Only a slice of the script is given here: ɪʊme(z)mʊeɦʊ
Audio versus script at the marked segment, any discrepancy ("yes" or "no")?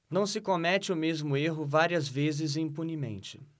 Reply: no